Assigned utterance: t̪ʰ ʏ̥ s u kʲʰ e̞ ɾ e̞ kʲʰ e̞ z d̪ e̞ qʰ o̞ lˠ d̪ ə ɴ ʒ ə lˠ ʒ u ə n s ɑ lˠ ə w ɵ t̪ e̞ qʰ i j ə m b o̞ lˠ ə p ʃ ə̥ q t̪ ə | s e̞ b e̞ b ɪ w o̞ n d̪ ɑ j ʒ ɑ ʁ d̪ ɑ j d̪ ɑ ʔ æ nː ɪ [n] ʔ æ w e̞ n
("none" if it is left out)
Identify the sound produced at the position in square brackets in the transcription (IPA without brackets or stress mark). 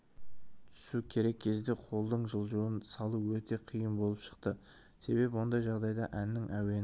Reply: ŋ